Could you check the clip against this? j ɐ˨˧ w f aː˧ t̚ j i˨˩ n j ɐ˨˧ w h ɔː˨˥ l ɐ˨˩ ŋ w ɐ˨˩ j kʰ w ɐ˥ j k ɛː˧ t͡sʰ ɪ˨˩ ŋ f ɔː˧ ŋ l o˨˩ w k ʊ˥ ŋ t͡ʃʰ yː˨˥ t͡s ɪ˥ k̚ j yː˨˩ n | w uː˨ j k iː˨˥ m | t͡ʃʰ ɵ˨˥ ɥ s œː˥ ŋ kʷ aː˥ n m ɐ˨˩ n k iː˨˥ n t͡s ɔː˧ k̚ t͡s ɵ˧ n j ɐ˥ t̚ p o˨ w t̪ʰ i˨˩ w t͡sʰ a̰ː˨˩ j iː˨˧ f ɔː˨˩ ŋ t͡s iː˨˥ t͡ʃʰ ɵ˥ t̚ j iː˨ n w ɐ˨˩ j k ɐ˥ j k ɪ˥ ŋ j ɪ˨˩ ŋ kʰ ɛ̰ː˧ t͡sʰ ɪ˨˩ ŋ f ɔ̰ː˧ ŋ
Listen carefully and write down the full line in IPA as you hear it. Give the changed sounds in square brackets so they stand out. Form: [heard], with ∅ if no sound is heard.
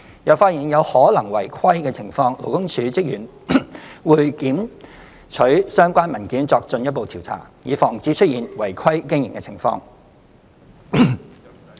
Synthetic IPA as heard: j ɐ˨˧ w f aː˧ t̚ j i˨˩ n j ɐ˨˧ w h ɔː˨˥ l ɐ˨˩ ŋ w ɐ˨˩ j kʰ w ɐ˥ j k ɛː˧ t͡sʰ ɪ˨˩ ŋ f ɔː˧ ŋ l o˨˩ w k ʊ˥ ŋ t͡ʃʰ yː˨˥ t͡s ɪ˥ k̚ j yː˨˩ n | w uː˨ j k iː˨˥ m | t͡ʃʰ ɵ˨˥ ɥ s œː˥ ŋ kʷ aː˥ n m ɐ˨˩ n k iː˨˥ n t͡s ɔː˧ k̚ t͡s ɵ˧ n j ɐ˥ t̚ p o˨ w t̪ʰ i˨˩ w t͡sʰ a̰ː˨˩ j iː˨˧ f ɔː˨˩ ŋ t͡s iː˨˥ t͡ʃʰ ɵ˥ t̚ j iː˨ n w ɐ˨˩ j [kʰ] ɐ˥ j k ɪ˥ ŋ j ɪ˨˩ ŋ [k] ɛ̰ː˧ t͡sʰ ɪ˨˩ ŋ f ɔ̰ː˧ ŋ